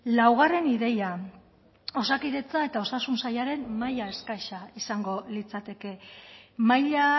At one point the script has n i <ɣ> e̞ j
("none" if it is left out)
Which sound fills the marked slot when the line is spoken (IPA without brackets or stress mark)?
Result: ð